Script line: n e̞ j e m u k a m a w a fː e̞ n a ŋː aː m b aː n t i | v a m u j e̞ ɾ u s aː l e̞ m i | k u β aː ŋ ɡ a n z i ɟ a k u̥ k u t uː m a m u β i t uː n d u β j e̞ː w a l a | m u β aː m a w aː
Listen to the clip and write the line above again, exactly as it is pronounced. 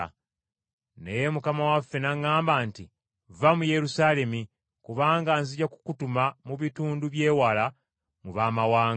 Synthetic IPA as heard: n e̞ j e m u k a m a w a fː e̞ n a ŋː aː m b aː n t i | v a m u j e̞ ɾ u s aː l e̞ m i | k u β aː ŋ ɡ a n z i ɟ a k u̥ k u t u m a m u β i t uː n d u β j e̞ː w a l a | m u β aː m a w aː